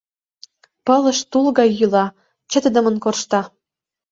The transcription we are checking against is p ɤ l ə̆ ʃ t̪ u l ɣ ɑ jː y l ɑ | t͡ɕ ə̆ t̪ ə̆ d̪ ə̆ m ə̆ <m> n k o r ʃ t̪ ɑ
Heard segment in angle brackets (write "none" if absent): none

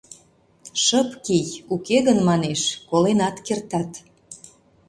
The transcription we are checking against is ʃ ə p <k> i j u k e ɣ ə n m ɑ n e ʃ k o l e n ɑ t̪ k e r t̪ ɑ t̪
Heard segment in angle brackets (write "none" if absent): k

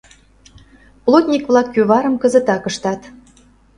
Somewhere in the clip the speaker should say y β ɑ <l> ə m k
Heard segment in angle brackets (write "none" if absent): ɾ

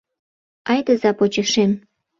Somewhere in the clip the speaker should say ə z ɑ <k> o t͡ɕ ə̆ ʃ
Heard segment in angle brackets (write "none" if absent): p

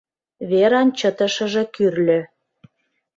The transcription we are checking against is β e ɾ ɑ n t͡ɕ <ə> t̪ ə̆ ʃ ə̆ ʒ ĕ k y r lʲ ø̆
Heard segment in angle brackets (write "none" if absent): ə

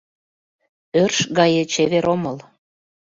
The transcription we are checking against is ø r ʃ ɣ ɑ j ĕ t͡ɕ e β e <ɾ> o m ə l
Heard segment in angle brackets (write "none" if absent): ɾ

